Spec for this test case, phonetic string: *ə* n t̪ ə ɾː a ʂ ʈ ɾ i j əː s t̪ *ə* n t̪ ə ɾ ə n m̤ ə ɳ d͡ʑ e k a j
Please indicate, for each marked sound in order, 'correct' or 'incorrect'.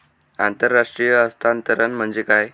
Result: incorrect, incorrect

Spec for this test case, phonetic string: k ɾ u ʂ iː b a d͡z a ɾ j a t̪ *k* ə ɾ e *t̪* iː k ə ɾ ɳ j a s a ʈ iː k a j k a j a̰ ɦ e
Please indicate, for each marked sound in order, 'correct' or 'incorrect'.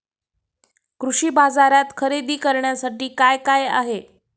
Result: incorrect, incorrect

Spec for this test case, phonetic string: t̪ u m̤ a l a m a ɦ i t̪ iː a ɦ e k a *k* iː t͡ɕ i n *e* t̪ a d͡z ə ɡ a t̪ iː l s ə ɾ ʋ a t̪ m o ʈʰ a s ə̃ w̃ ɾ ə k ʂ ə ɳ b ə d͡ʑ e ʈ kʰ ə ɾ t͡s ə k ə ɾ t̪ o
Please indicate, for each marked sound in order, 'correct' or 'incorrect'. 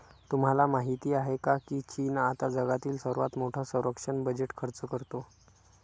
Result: correct, incorrect

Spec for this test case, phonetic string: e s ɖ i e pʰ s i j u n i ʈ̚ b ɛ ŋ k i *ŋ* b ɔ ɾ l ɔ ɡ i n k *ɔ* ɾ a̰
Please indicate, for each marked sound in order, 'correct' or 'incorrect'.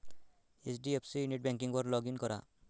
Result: correct, correct

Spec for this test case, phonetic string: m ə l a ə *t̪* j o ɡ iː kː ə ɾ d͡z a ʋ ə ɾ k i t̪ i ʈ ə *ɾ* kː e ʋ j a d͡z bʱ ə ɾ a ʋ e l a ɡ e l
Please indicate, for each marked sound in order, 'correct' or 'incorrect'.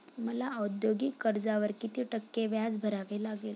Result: incorrect, incorrect

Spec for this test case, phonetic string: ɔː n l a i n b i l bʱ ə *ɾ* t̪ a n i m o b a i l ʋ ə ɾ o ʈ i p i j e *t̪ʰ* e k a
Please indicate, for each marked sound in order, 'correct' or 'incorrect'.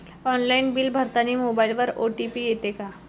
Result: correct, incorrect

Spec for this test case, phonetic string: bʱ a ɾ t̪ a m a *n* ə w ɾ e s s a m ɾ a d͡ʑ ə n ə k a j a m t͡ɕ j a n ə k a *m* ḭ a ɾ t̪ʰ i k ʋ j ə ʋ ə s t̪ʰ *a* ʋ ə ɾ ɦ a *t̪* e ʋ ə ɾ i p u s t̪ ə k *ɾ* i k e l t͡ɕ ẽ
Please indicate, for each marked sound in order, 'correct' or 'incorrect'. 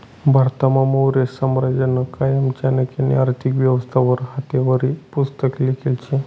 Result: incorrect, incorrect, correct, correct, incorrect

